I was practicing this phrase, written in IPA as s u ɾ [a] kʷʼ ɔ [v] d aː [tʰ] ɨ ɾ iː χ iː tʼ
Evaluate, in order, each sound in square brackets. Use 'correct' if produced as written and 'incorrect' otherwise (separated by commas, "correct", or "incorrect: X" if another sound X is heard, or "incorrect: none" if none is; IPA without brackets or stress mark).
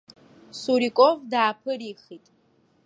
incorrect: i, correct, incorrect: pʰ